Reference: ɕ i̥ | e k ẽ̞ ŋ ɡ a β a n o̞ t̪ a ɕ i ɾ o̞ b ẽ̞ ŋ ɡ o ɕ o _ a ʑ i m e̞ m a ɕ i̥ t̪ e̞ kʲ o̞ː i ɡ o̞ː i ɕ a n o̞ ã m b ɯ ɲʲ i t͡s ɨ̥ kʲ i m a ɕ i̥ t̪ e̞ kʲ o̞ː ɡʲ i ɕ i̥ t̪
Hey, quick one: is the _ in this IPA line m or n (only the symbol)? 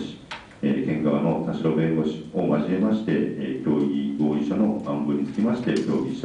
m